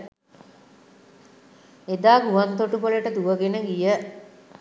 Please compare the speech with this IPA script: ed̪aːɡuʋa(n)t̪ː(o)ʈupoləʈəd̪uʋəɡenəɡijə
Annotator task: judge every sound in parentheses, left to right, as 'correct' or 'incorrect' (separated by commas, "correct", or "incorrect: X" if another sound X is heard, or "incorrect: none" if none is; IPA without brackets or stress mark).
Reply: correct, correct